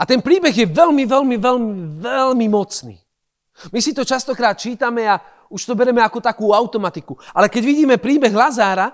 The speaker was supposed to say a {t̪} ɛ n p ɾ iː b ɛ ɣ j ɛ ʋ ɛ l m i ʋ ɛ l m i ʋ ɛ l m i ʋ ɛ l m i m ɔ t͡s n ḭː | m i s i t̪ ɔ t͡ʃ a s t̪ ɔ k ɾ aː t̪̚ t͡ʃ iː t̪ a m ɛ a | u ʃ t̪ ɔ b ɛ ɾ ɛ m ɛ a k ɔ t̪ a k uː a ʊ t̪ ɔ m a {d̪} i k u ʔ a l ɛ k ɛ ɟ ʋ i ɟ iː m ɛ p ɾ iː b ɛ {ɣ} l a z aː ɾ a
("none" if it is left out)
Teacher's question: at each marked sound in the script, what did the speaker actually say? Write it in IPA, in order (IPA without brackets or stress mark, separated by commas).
t̪, t̪, ɣ